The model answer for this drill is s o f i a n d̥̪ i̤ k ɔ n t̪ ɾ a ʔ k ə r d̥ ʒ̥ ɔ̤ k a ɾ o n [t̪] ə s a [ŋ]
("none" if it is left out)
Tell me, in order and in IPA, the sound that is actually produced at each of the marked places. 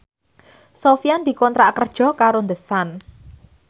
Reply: d̪, n

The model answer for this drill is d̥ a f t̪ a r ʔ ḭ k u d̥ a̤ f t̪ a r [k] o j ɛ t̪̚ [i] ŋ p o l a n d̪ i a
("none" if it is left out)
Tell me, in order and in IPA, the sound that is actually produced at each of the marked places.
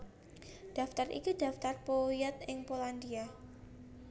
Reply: p, ɪ

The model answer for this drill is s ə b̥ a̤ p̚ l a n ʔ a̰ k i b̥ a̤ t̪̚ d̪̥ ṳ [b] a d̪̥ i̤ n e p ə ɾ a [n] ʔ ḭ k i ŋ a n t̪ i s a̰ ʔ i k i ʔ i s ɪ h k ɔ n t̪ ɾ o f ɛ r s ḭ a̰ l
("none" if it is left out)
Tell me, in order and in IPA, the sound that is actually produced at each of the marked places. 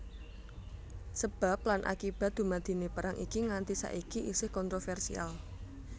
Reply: m, ŋ

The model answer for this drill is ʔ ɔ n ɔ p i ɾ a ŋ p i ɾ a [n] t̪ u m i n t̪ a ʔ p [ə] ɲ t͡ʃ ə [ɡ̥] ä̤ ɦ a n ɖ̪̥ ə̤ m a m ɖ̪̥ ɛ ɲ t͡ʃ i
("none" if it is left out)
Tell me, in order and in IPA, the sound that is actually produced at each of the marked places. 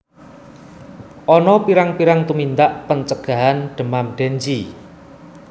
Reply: ŋ, ə, ɡ̥

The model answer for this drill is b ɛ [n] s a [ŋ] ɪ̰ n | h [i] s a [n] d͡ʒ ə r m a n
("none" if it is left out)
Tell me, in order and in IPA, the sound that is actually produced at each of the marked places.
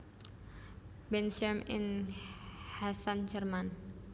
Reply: n, m, a, n

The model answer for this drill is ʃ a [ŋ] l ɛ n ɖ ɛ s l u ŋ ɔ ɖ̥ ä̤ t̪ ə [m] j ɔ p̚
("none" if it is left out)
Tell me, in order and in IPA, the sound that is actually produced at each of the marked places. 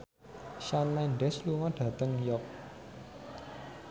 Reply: n, ŋ

